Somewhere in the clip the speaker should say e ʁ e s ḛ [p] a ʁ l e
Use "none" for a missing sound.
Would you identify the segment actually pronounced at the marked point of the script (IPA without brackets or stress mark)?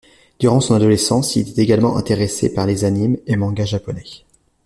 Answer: p